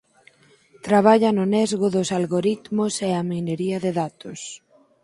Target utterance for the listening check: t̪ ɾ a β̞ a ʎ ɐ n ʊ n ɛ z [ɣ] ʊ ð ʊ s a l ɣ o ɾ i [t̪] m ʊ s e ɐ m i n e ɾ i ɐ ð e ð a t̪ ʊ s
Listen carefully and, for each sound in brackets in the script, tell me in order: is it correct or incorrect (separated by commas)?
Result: correct, correct